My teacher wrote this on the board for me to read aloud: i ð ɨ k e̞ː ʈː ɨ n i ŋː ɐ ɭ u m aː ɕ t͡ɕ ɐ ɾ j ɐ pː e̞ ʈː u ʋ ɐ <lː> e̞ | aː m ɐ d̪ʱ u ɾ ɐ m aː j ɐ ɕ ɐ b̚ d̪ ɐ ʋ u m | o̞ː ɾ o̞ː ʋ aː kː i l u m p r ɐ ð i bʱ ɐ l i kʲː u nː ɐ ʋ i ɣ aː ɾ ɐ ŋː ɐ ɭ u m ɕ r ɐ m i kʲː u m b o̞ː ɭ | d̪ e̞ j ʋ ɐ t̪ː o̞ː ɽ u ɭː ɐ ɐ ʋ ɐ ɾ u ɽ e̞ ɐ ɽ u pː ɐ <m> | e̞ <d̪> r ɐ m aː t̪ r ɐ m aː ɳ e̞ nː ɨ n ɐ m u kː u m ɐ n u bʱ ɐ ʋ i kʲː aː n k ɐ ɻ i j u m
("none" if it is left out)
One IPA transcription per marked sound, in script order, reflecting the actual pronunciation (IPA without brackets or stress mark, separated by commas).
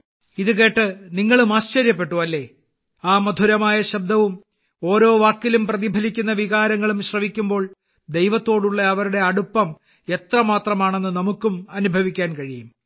lː, m, t̪